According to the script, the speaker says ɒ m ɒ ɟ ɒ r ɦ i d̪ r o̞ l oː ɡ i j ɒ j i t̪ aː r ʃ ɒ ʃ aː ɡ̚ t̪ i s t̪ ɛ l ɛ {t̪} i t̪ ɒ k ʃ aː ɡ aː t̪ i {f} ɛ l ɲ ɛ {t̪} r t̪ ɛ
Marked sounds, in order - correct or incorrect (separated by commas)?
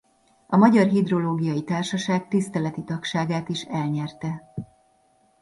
correct, incorrect, incorrect